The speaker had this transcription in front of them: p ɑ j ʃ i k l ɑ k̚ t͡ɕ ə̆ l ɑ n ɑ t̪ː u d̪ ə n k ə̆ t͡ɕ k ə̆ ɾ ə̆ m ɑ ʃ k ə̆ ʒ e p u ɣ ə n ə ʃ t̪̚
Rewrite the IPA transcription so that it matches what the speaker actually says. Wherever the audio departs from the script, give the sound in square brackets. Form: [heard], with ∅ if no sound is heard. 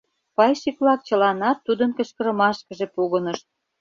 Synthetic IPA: p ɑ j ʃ i k l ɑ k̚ t͡ɕ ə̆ l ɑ n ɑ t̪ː u d̪ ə n k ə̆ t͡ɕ k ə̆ ɾ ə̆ m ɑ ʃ k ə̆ ʒ e p u ɣ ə n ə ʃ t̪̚